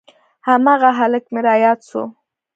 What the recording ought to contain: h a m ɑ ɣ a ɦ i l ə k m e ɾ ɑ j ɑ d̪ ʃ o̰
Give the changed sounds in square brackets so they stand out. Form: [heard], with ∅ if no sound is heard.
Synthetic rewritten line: h a m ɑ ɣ a ɦ [a] l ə k m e ɾ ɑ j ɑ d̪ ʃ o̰